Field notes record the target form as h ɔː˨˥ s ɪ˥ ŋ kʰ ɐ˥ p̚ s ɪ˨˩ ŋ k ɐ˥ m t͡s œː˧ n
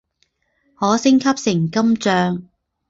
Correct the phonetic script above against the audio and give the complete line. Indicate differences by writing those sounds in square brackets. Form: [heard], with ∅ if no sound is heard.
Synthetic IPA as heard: h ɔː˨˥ s ɪ˥ ŋ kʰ ɐ˥ p̚ s ɪ˨˩ ŋ k ɐ˥ m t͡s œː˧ [ŋ]